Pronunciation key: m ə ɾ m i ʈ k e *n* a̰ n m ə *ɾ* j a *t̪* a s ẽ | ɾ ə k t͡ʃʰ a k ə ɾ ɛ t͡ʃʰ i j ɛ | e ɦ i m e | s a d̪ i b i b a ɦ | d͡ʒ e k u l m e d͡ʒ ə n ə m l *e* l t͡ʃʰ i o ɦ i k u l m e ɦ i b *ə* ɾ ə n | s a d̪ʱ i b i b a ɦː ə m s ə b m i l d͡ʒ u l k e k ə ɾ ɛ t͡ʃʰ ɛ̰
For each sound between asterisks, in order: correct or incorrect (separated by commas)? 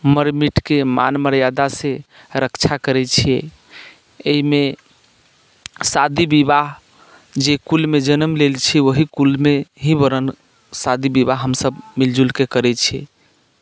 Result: incorrect, correct, incorrect, correct, correct